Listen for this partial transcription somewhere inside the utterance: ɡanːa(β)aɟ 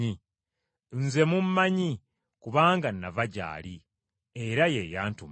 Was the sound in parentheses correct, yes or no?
no